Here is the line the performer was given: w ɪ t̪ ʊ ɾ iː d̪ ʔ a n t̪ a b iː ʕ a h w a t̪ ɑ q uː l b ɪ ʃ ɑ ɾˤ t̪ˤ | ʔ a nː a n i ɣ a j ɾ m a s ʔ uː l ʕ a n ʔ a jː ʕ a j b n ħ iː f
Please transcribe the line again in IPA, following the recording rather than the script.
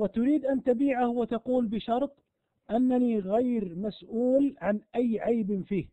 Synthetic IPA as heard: w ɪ t̪ ʊ ɾ iː d̪ ʔ a n t̪ a b iː ʕ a h w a t̪ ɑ q uː l b ɪ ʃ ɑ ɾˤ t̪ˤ | ʔ a nː a n i ɣ a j ɾ m a s ʔ uː l ʕ a n ʔ a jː ʕ a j b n f iː h